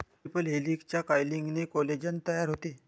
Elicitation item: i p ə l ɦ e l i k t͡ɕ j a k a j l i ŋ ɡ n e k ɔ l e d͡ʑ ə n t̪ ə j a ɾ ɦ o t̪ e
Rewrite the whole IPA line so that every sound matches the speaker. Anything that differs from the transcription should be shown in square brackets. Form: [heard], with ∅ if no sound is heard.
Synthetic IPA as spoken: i p ə l ɦ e l i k t͡ɕ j a k a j l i ŋ ɡ n e k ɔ l e d͡ʑ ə n t̪ ə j a ɾ ɦ o t̪ e